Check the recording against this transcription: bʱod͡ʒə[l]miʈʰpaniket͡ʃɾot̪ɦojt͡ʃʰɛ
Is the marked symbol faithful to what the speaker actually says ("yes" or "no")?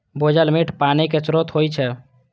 yes